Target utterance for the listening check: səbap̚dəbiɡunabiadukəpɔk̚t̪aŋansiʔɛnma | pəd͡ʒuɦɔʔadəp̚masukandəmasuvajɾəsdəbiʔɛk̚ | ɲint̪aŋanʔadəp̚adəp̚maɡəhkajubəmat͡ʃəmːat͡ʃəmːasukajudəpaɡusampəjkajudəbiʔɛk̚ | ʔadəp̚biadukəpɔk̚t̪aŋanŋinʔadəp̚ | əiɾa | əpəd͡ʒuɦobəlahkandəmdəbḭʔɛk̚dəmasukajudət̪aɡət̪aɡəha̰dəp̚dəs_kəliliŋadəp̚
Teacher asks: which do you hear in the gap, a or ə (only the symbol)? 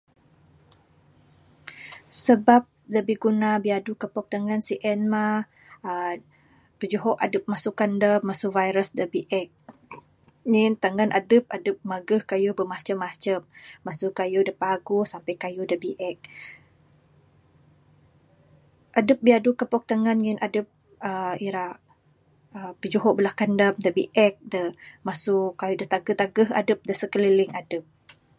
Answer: ə